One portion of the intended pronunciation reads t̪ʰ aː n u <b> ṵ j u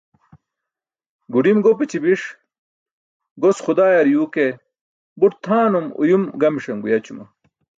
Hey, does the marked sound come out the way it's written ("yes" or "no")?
no